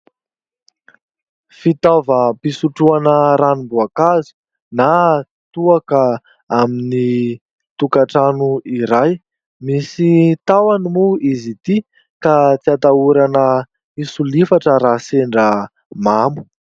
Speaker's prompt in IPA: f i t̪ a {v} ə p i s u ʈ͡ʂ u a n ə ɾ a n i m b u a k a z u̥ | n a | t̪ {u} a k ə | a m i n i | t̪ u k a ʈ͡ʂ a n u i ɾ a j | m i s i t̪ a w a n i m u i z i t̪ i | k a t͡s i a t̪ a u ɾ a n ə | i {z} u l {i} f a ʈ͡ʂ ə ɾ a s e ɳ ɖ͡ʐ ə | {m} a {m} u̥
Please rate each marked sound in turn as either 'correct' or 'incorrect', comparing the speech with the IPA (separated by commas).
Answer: correct, correct, incorrect, correct, correct, correct